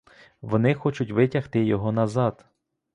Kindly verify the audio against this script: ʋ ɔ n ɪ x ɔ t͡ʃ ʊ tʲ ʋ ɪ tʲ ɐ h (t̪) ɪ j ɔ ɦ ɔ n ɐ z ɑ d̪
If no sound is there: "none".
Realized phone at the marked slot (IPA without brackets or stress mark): t̪